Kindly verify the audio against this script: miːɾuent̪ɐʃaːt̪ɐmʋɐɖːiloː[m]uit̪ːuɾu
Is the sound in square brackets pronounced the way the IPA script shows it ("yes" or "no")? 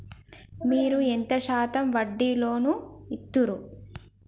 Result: no